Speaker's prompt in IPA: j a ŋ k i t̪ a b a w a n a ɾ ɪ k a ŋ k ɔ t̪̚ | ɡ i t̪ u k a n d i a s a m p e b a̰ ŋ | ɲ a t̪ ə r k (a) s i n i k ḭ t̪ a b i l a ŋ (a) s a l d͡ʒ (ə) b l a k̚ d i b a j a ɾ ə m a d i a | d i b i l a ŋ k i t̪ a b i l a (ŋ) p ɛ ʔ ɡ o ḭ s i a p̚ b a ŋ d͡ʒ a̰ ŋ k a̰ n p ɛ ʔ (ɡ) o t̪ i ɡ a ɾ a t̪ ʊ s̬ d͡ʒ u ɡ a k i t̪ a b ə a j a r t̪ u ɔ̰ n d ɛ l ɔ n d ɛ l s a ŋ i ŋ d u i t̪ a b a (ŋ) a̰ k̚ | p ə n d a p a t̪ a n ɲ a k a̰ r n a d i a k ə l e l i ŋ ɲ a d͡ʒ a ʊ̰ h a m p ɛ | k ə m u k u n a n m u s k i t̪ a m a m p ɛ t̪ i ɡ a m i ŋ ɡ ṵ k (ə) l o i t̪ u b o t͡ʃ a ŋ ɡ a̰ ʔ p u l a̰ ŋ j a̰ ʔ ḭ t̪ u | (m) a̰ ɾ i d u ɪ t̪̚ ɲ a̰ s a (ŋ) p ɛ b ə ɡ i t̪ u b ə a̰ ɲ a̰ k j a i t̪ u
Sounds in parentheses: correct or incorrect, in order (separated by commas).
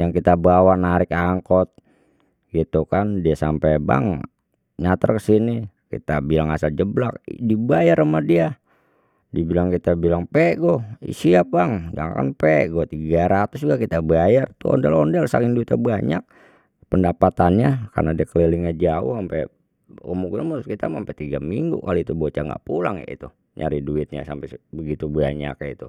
incorrect, correct, correct, correct, correct, incorrect, incorrect, incorrect, incorrect